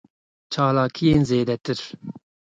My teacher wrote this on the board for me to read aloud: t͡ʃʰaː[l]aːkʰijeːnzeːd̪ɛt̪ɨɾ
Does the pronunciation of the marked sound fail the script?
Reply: no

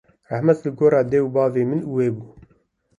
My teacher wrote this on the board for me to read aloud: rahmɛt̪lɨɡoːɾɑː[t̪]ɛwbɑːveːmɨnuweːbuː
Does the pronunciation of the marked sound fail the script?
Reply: yes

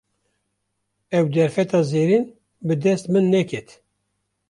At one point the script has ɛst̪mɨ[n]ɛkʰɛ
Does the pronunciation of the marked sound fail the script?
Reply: yes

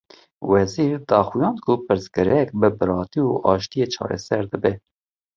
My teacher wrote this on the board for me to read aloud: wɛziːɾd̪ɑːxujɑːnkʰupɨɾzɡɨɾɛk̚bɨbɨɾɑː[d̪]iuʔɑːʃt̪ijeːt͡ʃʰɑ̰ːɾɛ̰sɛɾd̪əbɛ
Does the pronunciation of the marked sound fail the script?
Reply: yes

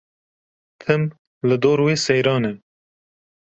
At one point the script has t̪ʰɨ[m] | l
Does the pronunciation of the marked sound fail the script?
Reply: no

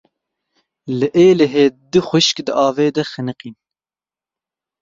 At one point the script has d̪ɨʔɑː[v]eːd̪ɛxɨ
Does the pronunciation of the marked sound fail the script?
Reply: no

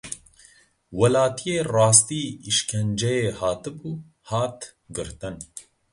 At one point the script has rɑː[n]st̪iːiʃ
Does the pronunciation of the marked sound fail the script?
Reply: yes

